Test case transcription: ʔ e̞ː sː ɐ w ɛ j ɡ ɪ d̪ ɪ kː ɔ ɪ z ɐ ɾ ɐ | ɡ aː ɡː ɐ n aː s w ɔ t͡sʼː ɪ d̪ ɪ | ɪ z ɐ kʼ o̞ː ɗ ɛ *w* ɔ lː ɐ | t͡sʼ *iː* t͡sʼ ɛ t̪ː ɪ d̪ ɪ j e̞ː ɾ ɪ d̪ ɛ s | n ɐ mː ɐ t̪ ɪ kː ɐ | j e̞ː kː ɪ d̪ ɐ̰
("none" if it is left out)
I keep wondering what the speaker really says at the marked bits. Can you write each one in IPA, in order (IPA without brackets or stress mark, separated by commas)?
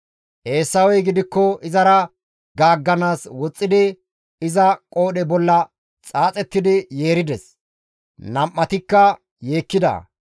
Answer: b, aː